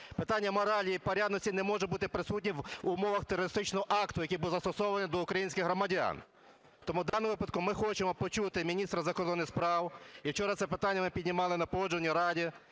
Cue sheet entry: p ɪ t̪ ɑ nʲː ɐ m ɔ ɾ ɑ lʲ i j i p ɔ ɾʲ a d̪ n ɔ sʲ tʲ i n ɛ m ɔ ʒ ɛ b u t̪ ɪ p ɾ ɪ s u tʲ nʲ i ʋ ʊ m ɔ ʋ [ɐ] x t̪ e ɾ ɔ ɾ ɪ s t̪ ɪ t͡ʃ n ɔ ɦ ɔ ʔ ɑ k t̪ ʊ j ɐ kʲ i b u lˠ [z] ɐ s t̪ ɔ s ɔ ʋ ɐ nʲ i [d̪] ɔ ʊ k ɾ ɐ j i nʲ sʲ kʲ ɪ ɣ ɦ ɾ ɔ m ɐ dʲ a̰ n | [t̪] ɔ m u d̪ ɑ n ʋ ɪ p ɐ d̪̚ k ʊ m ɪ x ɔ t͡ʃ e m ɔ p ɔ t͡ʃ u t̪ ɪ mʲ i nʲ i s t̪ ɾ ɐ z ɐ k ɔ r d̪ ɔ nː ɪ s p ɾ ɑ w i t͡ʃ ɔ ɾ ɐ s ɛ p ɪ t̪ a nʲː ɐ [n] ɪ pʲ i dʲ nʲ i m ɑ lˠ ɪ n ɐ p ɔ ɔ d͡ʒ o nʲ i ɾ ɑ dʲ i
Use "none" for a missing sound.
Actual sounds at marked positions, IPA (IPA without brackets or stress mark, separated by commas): ɐ, z, d̪, t̪, m